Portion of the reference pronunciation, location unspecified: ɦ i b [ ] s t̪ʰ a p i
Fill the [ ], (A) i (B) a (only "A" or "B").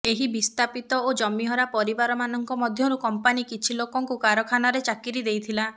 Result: A